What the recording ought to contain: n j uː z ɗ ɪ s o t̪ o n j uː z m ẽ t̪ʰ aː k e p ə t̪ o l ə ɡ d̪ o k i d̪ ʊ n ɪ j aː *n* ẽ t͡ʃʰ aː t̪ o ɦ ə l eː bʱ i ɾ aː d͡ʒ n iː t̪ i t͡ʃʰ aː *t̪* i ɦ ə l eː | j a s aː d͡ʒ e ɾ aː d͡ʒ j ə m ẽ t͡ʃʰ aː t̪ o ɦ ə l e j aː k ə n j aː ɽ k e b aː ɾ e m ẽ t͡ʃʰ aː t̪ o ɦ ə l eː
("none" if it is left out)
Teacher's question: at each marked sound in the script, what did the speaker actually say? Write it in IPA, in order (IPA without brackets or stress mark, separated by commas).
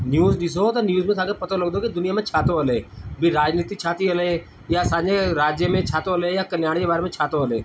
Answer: m, t̪